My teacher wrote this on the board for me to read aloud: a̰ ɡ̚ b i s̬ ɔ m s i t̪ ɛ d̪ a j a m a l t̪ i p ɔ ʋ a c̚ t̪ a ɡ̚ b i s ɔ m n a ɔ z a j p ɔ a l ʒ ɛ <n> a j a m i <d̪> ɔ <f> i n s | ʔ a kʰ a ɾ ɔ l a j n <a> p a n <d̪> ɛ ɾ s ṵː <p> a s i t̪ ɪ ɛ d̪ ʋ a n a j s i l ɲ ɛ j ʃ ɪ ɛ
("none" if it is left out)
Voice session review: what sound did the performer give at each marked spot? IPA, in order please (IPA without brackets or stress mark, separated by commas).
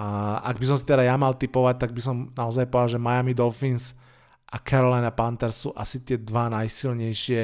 m, d̪, f, a, t̪, ʔ